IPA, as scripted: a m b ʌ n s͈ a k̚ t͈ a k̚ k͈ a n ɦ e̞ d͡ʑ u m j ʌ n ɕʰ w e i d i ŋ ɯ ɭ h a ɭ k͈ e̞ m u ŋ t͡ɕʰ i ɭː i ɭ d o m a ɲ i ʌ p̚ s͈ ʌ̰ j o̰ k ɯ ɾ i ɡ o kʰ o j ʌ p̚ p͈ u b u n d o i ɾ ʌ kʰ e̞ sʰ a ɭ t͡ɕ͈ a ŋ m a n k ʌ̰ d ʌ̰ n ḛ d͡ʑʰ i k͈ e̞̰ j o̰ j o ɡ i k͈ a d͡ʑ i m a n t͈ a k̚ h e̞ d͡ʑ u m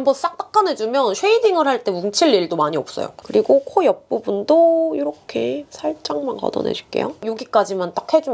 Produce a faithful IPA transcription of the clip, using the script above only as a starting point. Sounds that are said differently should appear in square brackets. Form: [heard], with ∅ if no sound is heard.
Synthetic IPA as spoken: a m b ʌ n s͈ a k̚ t͈ a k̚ k͈ a n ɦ e̞ d͡ʑ u m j ʌ n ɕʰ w e i d i ŋ ɯ ɭ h a ɭ [t͈] e̞ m u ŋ t͡ɕʰ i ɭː i ɭ d o m a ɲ i ʌ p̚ s͈ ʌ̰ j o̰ k ɯ ɾ i ɡ o kʰ o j ʌ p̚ p͈ u b u n d o i ɾ ʌ kʰ e̞ sʰ a ɭ t͡ɕ͈ a ŋ m a n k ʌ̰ d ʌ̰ n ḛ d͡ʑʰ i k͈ e̞̰ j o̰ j o ɡ i k͈ a d͡ʑ i m a n t͈ a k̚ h e̞ d͡ʑ u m